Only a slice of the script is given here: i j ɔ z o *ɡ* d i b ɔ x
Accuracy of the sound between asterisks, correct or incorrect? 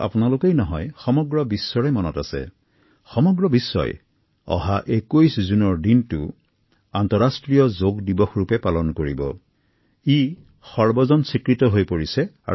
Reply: correct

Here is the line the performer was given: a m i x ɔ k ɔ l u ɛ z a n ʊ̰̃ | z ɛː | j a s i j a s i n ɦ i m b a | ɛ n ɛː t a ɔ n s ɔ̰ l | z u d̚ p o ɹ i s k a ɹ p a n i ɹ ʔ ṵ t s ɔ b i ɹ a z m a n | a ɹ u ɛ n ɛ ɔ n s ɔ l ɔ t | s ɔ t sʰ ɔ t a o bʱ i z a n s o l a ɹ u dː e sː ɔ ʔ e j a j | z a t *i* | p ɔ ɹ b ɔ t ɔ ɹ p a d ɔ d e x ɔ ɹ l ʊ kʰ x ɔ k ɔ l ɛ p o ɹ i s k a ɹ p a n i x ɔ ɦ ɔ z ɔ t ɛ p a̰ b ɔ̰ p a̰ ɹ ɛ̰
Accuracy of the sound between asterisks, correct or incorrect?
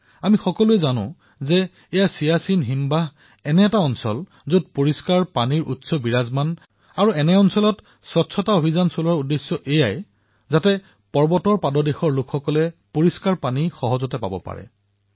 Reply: incorrect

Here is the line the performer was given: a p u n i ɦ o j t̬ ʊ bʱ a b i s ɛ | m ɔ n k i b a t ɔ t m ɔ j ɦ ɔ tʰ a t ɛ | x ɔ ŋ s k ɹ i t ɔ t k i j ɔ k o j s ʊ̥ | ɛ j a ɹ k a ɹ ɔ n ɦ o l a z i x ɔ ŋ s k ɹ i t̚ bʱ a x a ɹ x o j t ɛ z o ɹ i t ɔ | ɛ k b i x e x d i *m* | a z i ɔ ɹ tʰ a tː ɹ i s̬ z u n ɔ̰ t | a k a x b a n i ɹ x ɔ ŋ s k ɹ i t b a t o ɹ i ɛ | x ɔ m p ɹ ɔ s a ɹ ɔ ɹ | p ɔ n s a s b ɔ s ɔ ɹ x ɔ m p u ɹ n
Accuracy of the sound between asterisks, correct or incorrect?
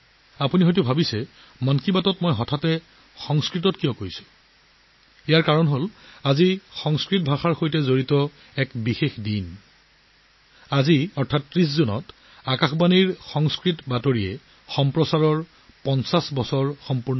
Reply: incorrect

